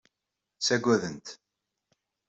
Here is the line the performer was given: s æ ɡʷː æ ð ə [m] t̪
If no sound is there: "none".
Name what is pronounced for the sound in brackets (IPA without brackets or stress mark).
n